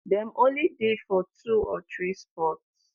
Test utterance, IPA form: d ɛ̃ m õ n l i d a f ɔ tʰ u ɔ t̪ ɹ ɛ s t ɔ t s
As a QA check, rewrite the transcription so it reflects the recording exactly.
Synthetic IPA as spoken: d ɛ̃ m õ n l i d e f ɔ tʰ u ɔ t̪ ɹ i s p ɔ t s

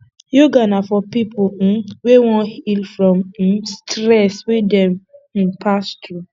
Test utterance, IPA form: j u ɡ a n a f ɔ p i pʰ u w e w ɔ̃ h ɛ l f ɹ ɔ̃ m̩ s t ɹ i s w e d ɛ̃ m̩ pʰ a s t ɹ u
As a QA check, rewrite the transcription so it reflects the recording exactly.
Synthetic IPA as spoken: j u ɡ a n a f ɔ p i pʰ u w e w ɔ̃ h i l f ɹ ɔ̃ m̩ s t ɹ ɛ s w e d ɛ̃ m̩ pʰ a s t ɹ u

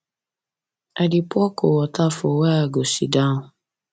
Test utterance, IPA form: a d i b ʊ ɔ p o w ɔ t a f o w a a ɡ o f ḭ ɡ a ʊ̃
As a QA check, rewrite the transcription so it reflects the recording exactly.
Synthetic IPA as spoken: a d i p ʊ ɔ k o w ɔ t a f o w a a ɡ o s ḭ d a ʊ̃

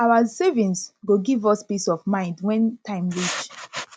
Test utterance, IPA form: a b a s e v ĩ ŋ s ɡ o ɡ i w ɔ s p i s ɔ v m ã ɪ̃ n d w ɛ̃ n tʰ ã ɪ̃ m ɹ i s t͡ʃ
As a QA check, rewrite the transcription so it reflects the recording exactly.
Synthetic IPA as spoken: a w a s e v ĩ n s ɡ o ɡ i v ɔ s p i s ɔ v m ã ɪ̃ n d w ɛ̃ n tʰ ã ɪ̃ m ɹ i t͡ʃ

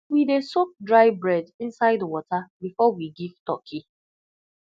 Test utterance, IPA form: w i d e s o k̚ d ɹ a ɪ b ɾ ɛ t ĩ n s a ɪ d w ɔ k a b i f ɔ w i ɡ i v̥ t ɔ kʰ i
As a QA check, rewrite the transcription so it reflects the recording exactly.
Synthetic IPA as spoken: w i d e s o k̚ d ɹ a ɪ b ɹ ɛ d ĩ n s a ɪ d w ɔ t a b i f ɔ w i ɡ i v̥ t ɔ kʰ i

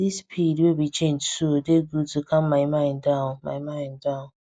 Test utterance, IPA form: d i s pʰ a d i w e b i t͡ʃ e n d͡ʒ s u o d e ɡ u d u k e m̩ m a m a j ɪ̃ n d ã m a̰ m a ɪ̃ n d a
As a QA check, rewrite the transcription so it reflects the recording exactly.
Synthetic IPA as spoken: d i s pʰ i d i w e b i t͡ʃ e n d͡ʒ s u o d e ɡ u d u k a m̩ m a m a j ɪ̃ n d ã m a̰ m a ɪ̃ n d a

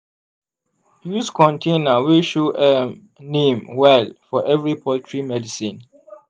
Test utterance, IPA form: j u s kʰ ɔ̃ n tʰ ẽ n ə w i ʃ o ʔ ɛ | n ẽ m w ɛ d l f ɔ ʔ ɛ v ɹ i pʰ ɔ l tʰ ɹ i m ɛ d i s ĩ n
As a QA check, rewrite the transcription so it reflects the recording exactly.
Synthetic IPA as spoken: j u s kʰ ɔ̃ n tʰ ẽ n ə w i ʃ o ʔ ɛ | n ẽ m w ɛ l f ɔ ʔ ɛ v ɹ i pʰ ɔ l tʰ ɹ i m ɛ d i s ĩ n

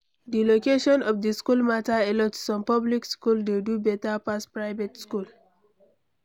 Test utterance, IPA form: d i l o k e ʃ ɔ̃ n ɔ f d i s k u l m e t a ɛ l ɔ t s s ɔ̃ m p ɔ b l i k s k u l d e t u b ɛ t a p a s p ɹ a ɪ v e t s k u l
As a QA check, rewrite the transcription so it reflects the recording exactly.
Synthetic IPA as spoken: d i l o k e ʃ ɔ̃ n ɔ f d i s k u l m a t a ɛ l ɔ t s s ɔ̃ m p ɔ b l i k s k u l d e d u b ɛ t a p a s p ɹ a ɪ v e t s k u l

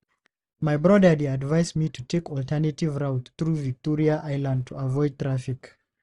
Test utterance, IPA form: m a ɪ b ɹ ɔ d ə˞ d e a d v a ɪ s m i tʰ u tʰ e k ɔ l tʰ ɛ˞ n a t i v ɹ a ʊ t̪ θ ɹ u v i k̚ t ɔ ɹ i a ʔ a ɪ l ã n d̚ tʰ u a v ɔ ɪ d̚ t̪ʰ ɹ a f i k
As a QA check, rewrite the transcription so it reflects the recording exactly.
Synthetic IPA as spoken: m a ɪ b ɹ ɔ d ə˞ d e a d v a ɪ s m i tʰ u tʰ e k ɔ l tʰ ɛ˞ n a t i v ɹ a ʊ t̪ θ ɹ u v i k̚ t ɔ ɹ i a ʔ a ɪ l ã n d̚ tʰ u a v ɔ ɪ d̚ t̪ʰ ɹ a f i k

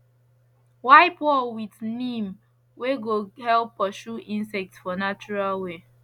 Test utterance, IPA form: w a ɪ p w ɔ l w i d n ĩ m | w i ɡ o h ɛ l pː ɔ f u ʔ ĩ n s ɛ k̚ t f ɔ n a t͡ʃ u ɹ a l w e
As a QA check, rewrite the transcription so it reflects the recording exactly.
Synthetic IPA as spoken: w a ɪ p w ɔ l w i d n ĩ m | w e ɡ o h ɛ l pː ɔ ʃ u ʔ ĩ n s ɛ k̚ t f ɔ n a t͡ʃ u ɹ a l w e

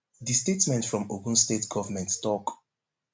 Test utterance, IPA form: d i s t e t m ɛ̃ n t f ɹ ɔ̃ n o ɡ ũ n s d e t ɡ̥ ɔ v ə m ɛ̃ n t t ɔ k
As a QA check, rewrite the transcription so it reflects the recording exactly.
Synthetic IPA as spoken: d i s t e t m ɛ̃ n t f ɹ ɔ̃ m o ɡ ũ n s t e t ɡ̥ ɔ v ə m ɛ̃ n t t ɔ k

